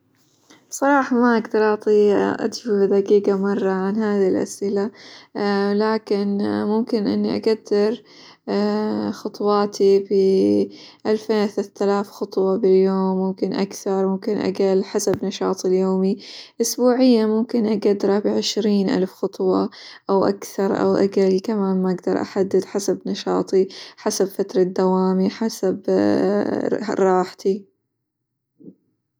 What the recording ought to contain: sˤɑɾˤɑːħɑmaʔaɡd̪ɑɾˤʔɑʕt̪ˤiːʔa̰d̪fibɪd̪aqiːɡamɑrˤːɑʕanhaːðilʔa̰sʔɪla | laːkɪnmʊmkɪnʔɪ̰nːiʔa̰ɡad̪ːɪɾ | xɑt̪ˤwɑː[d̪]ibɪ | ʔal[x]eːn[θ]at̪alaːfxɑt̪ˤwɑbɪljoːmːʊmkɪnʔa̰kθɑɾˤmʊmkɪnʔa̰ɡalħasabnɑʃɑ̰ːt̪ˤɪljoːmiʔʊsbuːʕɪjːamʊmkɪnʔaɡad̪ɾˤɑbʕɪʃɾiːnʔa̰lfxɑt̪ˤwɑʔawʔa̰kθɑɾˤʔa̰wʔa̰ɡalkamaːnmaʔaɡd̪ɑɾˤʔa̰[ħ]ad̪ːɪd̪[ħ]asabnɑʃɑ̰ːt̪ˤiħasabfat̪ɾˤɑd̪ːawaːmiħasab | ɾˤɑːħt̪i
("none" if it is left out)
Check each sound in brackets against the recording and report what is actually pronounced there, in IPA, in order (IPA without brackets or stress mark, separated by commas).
t̪, f, θ, ħ, ħ